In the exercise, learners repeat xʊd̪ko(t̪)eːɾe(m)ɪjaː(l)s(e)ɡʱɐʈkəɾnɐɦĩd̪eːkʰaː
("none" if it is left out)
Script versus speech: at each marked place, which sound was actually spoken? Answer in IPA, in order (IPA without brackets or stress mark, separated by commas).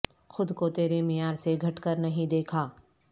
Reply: t̪, m, ɾ, e